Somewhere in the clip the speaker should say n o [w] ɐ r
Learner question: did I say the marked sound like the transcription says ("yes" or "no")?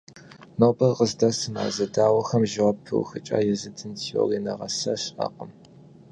no